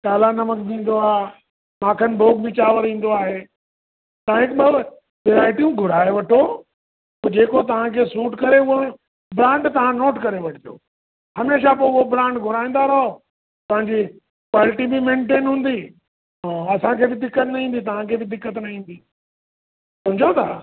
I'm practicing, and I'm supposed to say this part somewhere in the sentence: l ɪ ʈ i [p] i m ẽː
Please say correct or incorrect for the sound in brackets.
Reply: incorrect